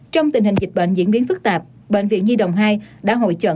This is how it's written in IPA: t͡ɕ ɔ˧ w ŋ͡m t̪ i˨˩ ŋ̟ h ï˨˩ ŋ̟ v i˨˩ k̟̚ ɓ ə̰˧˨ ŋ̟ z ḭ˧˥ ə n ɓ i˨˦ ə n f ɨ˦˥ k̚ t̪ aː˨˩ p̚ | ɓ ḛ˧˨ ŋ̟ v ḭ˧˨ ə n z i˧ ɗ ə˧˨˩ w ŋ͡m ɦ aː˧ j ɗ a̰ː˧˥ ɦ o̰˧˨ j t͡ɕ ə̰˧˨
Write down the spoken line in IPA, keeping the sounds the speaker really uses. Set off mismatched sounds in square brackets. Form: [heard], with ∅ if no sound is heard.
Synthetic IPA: t͡ɕ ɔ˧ w ŋ͡m t̪ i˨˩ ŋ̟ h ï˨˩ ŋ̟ [z] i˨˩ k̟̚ ɓ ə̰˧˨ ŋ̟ z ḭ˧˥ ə n ɓ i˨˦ ə n f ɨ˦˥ k̚ t̪ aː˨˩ p̚ | ɓ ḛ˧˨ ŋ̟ v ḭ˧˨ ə n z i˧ ɗ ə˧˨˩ w ŋ͡m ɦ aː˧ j ɗ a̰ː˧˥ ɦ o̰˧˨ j t͡ɕ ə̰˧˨